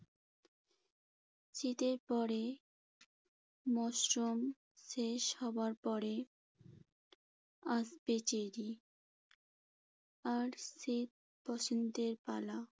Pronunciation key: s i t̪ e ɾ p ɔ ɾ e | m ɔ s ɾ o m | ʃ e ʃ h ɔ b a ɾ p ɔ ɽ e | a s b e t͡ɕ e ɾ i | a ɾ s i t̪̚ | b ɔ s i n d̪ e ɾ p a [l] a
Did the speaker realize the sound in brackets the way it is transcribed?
yes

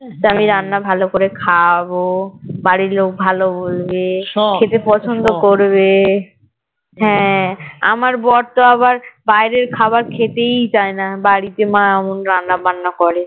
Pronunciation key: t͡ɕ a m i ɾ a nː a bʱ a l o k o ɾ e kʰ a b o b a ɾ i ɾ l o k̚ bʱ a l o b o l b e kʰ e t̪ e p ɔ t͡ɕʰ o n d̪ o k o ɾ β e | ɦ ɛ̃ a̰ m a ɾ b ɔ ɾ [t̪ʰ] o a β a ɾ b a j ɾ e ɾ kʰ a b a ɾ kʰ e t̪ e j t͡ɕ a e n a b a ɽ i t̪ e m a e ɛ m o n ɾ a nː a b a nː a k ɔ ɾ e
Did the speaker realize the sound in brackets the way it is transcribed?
no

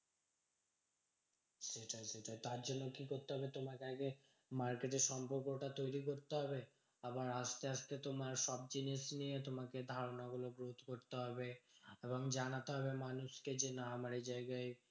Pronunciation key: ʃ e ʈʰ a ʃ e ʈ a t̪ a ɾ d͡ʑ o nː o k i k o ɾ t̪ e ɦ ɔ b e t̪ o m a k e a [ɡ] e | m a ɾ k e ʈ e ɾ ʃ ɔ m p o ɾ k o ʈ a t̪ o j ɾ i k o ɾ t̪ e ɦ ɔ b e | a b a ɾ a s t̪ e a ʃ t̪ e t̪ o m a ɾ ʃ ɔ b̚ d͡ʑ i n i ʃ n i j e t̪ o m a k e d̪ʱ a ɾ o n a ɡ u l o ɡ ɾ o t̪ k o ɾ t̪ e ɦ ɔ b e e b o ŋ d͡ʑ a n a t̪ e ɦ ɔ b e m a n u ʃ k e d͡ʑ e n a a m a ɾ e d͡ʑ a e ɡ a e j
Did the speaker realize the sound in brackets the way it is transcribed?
yes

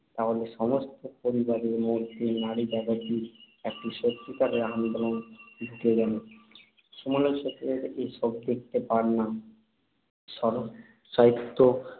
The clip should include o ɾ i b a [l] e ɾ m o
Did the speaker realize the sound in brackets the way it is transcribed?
no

